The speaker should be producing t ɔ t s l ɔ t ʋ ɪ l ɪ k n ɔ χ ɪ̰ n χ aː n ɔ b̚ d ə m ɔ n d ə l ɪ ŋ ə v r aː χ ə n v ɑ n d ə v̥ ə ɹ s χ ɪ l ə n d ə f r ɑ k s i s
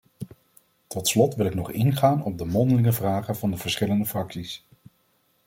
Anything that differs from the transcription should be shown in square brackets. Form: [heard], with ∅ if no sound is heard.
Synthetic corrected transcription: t ɔ t s l ɔ t ʋ ɪ l ɪ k n ɔ χ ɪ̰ n χ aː n ɔ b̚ d ə m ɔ n d ə l ɪ ŋ ə v r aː χ ə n v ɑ n d ə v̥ ə ɹ s χ ɪ l ə n d ə f r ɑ k s i s

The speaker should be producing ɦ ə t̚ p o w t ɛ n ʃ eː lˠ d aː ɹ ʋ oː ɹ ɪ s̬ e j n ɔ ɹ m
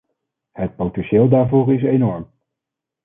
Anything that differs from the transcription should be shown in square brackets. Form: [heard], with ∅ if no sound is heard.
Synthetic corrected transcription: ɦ ə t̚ p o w t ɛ n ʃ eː lˠ d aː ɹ [v] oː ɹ ɪ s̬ e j n ɔ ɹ m

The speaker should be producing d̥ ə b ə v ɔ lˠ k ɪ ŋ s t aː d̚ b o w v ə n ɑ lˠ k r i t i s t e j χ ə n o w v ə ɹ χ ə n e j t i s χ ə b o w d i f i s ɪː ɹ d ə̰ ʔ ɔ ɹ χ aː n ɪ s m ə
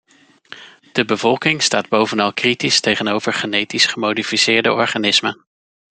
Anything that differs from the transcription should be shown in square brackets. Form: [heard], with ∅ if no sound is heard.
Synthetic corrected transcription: d̥ ə b ə v ɔ lˠ k ɪ ŋ s t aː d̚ b o w v ə n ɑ lˠ k r i t i s t e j χ ə n o w v ə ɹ χ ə n e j t i s χ ə [m] o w d i f i s ɪː ɹ d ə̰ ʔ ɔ ɹ χ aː n ɪ s m ə

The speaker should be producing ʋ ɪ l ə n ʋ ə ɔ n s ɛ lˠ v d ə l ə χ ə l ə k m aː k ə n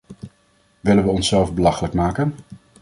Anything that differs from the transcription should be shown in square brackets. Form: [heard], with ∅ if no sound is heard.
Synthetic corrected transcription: ʋ ɪ l ə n ʋ ə ɔ n s ɛ lˠ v [b] ə l [ɑ] χ ə l ə k m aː k ə n

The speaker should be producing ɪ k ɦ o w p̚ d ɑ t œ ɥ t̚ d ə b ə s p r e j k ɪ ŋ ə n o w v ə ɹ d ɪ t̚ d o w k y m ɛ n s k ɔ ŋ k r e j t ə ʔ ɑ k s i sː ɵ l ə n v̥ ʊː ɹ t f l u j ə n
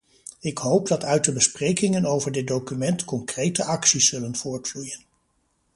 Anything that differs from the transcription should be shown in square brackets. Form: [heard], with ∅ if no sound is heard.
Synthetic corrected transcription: ɪ k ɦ o w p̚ d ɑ t œ ɥ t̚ d ə b ə s p r e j k ɪ ŋ ə n o w v ə ɹ d ɪ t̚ d o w k y m ɛ n [t] k ɔ ŋ k r e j t ə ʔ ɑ k s i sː ɵ l ə n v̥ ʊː ɹ t f l u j ə n

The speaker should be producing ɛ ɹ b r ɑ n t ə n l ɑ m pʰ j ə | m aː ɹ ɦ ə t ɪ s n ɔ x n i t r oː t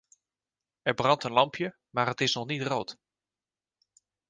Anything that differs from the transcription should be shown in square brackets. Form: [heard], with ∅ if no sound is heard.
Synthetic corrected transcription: ɛ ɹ b r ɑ n t ə n l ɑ m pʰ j ə | m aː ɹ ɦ ə t ɪ s n ɔ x n i t r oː t

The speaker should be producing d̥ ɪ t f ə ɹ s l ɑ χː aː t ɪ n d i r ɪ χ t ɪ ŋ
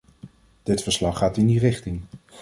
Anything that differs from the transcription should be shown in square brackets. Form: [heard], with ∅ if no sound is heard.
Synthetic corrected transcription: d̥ ɪ t f ə ɹ s l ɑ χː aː t ɪ n d i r ɪ χ t ɪ ŋ

